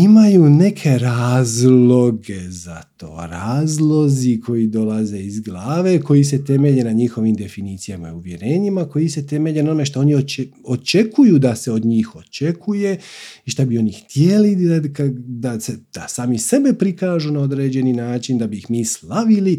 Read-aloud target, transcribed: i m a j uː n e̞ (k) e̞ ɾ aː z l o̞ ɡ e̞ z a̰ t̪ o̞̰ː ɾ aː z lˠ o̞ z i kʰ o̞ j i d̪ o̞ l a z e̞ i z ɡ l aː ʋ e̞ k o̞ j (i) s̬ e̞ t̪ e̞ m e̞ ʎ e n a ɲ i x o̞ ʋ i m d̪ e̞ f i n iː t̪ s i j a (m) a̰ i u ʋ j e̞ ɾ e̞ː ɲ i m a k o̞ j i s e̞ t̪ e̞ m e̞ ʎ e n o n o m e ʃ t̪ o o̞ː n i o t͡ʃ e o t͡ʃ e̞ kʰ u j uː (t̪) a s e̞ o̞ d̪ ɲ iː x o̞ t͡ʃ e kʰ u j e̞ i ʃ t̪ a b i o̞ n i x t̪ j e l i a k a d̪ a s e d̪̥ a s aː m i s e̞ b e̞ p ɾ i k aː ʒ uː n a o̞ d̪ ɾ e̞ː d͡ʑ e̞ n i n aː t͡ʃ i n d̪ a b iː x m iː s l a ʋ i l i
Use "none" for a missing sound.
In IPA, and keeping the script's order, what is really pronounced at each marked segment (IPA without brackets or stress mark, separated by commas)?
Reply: kʰ, i, m, d̪